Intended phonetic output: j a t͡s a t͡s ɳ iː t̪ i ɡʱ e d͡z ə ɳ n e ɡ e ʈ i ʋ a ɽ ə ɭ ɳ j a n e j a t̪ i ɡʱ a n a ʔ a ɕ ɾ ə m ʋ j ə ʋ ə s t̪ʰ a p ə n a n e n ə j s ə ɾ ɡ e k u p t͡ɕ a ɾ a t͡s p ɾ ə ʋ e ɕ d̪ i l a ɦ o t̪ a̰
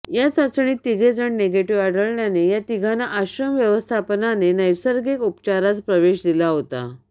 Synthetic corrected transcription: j a t͡s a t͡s ɳ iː t̪ i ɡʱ e d͡z ə ɳ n e ɡ e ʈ i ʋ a ɽ ə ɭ ɳ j a n e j a t̪ i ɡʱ a n a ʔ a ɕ ɾ ə m ʋ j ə ʋ ə s t̪ʰ a p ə n a n e n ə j s ə ɾ ɡ e k u p t͡ɕ a ɾ a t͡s p ɾ ə ʋ e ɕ d̪ i l a ɦ o t̪ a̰